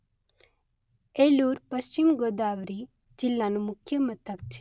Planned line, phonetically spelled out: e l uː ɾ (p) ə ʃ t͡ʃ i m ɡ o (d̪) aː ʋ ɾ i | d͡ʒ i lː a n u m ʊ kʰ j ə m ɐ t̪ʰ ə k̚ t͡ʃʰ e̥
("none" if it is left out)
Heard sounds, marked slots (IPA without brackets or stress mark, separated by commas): p, d̪